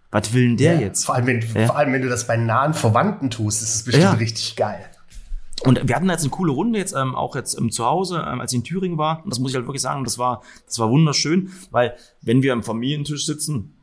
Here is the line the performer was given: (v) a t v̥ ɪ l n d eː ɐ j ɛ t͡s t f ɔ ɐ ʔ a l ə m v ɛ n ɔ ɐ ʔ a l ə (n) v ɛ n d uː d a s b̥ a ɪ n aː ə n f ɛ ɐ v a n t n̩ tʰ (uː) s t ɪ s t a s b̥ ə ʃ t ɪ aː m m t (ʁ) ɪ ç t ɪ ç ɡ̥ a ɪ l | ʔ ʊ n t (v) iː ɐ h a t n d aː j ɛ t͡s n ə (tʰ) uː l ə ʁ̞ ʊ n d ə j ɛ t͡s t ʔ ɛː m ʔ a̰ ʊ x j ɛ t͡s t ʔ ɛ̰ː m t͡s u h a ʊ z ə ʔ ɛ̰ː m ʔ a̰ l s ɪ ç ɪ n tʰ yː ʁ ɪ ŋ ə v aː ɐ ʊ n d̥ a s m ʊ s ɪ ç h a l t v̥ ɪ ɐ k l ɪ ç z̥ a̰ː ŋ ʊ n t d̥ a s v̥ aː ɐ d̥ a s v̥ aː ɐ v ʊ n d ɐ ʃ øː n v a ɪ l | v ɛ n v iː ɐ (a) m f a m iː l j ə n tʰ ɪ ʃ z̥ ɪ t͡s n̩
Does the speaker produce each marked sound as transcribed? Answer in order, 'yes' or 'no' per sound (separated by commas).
yes, no, yes, yes, yes, no, yes